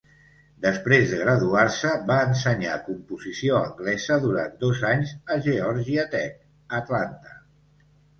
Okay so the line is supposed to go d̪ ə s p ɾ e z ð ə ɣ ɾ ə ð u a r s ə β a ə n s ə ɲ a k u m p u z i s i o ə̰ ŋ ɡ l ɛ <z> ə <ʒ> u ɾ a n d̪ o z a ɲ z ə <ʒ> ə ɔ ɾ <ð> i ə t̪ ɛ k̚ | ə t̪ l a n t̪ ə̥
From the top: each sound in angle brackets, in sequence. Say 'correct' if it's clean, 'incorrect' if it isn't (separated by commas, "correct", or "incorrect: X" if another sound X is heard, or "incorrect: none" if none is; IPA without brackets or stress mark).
correct, incorrect: ð, correct, incorrect: ʒ